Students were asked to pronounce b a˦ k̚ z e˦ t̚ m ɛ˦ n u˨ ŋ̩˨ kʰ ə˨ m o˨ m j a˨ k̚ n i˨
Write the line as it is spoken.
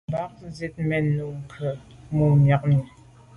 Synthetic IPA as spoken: b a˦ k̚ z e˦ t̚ m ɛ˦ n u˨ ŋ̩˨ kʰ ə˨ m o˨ m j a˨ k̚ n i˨